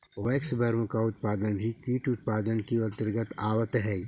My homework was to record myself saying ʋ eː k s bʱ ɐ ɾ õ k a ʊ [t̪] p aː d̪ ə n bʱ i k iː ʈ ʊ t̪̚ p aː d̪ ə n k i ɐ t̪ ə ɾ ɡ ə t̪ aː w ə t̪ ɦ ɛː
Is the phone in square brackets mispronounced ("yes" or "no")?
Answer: no